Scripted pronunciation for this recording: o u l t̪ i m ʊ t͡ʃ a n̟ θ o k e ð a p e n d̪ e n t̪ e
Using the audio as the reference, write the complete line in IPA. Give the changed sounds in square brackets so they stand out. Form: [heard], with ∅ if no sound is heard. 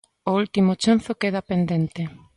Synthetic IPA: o u l t̪ i m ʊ t͡ʃ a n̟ θ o k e ð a p e n d̪ e n t̪ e